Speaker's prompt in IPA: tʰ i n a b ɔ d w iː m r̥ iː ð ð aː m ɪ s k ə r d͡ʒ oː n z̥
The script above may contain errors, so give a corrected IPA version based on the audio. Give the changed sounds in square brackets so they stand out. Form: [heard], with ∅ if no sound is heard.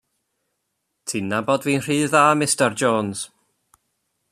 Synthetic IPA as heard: tʰ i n a b ɔ d [v] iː [n] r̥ iː ð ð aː m ɪ s [t] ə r d͡ʒ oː n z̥